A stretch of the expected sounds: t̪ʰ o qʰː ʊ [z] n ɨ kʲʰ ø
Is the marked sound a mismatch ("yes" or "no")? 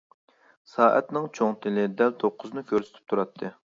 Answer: no